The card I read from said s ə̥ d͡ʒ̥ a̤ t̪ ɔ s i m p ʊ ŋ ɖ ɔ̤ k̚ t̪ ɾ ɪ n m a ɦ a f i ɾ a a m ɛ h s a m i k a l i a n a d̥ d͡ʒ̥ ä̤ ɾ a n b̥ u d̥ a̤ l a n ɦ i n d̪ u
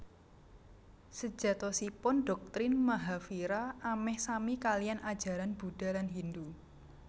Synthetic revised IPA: s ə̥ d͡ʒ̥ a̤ t̪ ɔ s i p ʊ n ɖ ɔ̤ k̚ t̪ ɾ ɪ n m a ɦ a f i ɾ a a m ɛ h s a m i k a l i a n a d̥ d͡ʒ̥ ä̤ ɾ a n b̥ u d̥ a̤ l a n ɦ i n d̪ u